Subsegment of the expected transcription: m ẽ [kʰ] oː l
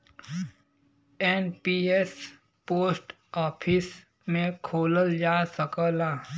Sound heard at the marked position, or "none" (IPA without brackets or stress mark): kʰ